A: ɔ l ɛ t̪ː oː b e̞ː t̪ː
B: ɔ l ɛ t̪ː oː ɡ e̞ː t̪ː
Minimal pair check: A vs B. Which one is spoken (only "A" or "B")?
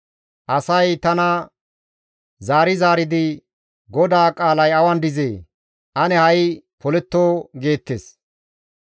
B